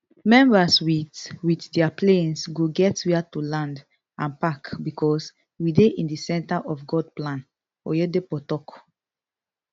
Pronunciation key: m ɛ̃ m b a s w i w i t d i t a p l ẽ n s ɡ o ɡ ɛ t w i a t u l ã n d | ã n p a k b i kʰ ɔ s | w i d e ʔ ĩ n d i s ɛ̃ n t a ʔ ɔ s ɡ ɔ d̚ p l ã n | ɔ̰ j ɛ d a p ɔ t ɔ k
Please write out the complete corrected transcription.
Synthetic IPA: m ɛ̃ m b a s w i w i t d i a p l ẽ n s ɡ o ɡ ɛ t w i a t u l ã n d | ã n p a k b i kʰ ɔ s | w i d e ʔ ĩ n d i s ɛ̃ n t a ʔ ɔ f ɡ ɔ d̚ p l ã n | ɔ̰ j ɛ d e p ɔ t ɔ k